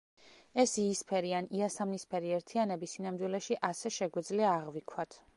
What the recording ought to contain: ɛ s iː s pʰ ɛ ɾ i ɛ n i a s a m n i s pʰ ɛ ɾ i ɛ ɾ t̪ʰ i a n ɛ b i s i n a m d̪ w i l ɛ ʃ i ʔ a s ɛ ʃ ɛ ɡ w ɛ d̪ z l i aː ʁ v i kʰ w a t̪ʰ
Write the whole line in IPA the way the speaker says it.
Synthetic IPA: ɛ s iː s pʰ ɛ ɾ i a n i a s a m n i s pʰ ɛ ɾ i ɛ ɾ t̪ʰ i a n ɛ b i s i n a m d̪ w i l ɛ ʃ i ʔ a s ɛ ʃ ɛ ɡ w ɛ d̪ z l i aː ʁ v i kʰ w a t̪ʰ